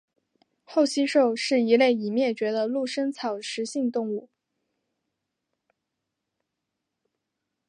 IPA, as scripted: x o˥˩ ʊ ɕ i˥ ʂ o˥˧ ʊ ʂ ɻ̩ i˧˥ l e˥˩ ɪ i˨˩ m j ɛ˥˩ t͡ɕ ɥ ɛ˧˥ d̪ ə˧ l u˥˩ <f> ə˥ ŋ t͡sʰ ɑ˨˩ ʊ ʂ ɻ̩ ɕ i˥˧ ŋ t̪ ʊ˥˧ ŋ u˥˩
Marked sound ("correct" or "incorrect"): incorrect